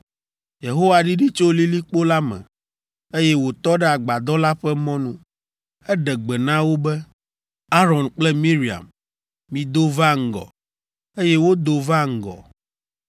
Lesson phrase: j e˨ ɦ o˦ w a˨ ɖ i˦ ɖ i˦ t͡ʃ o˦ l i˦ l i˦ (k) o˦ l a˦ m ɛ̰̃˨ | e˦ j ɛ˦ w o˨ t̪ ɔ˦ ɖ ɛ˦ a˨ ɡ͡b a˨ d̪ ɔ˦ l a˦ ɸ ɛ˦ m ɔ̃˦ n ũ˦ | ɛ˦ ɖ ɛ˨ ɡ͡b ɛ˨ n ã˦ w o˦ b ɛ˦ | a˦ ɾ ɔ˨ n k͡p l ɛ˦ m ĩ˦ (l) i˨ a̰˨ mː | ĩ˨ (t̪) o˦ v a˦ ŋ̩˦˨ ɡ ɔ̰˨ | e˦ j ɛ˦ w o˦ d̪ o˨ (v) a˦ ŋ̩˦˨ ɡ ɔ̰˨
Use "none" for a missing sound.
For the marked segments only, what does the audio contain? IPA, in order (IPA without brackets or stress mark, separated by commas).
k͡p, ɾ, d̪, v